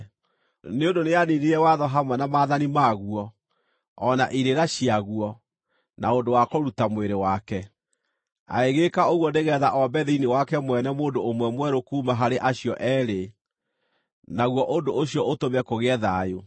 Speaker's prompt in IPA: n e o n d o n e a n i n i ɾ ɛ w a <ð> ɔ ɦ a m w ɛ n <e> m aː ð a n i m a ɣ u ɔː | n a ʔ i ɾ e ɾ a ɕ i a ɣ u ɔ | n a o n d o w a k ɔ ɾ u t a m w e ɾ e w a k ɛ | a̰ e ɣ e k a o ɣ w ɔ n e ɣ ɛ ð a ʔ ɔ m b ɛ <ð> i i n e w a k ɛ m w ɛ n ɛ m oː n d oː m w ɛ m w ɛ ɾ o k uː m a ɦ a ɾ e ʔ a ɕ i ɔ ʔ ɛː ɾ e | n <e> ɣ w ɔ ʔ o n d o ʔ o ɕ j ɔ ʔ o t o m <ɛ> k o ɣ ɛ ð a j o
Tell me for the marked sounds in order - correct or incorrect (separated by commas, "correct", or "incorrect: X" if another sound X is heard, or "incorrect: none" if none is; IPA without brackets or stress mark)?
correct, incorrect: a, correct, incorrect: a, correct